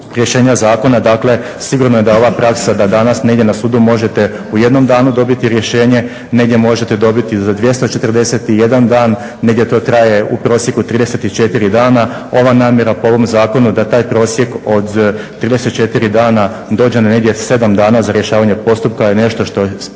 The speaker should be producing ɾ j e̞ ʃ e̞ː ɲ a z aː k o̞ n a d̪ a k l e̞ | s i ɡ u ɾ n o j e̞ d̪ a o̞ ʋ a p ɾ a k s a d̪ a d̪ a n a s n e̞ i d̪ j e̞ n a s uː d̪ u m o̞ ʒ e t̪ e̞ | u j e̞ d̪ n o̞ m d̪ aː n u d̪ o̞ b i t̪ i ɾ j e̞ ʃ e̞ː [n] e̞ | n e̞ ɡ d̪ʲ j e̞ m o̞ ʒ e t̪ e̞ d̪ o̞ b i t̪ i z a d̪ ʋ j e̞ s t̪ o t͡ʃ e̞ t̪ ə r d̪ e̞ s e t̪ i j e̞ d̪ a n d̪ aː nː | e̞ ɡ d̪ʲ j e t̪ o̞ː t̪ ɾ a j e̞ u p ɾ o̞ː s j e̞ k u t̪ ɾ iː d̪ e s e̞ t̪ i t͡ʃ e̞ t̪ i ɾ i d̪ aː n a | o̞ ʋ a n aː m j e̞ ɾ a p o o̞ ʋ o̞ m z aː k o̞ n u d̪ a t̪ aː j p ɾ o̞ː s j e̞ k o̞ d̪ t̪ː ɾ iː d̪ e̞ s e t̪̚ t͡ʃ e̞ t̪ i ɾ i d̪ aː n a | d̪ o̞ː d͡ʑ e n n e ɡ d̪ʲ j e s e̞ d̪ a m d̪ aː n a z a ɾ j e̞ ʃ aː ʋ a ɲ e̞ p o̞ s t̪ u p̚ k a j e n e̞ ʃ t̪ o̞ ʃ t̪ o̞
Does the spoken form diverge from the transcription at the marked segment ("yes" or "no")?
yes